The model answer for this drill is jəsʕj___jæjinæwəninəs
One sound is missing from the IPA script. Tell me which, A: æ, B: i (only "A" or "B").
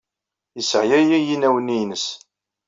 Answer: A